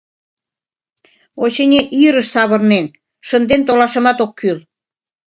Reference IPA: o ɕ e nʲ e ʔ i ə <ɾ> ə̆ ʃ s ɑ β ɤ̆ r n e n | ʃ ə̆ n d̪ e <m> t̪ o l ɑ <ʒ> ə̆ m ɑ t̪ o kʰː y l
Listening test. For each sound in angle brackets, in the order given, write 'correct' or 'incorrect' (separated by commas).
correct, incorrect, incorrect